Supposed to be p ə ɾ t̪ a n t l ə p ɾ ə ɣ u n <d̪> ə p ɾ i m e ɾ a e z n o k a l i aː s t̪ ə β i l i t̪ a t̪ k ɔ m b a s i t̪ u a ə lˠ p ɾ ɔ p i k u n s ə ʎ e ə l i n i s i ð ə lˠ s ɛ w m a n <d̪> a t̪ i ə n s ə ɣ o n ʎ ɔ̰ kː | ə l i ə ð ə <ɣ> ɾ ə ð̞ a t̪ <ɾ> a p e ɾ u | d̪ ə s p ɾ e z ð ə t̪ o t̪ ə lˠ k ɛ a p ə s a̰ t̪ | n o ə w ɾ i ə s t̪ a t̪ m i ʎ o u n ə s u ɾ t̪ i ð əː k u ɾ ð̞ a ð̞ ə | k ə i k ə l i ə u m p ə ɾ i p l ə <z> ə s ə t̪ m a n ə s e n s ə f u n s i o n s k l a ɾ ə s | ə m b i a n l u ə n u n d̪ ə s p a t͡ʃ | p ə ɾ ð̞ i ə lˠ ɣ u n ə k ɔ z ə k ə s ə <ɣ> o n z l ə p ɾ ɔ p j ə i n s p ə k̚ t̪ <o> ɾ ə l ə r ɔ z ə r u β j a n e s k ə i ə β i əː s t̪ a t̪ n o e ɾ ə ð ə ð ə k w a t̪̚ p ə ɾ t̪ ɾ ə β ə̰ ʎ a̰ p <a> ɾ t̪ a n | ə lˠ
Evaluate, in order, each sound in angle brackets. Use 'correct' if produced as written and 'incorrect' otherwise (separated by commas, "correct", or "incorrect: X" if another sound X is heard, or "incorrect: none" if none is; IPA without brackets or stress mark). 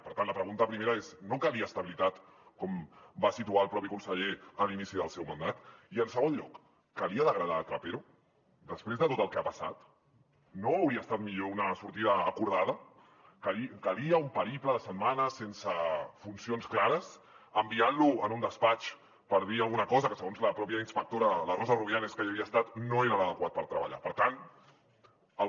incorrect: t̪, correct, correct, correct, incorrect: ð, correct, correct, incorrect: ə